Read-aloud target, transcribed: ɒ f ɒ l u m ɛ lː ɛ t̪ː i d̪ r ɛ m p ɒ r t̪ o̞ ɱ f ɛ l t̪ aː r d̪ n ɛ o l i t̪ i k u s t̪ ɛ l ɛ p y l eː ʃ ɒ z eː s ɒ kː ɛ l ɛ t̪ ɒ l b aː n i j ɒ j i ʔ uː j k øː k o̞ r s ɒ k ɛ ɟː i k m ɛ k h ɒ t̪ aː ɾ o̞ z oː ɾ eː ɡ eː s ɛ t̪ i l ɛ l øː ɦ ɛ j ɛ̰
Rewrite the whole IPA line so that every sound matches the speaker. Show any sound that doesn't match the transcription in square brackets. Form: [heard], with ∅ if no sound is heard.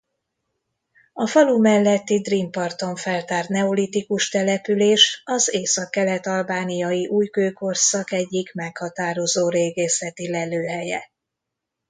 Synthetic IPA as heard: ɒ f ɒ l u m ɛ lː ɛ t̪ː i d̪ r [i] m p ɒ r t̪ o̞ ɱ f ɛ l t̪ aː r [t̪] n ɛ o l i t̪ i k u [ʃ] t̪ ɛ l ɛ p y l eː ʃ ɒ z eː s ɒ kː ɛ l ɛ t̪ ɒ l b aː n i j ɒ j i ʔ uː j k øː k o̞ r s ɒ k ɛ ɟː i k m ɛ k h ɒ t̪ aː ɾ o̞ z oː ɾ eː ɡ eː s ɛ t̪ i l ɛ l øː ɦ ɛ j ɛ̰